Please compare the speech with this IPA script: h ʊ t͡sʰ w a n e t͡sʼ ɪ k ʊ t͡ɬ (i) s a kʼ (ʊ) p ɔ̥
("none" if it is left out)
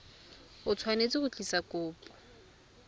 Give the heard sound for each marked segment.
i, ʊː

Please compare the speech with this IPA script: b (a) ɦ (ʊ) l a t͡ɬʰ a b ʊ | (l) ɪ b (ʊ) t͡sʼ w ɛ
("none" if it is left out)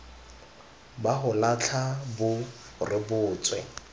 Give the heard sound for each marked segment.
a, ʊ, r, ʊː

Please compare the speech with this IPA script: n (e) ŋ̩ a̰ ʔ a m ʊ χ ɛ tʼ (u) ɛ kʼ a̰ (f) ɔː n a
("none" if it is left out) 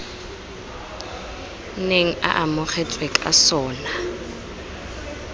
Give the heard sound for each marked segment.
e, w, s

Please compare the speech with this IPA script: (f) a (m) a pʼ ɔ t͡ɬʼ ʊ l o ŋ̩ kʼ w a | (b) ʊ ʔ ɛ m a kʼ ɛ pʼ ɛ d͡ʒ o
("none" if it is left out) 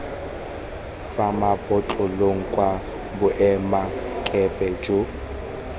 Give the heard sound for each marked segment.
f, m, b

